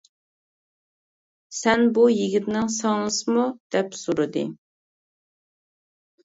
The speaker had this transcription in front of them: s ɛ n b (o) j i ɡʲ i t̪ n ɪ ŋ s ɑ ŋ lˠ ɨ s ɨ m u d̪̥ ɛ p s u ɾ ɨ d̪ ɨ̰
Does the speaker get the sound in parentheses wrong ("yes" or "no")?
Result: yes